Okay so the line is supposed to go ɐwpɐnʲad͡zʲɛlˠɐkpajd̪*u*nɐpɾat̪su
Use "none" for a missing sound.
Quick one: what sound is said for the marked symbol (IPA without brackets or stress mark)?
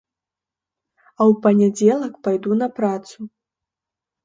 u